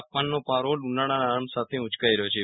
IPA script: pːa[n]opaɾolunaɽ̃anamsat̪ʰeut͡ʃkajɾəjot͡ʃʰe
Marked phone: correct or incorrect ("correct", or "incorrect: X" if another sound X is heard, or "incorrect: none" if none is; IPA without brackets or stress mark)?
incorrect: nː